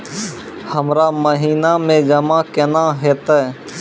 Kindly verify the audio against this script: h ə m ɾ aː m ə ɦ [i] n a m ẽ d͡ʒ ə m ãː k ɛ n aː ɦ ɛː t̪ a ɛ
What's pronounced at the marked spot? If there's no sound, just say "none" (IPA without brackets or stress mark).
iː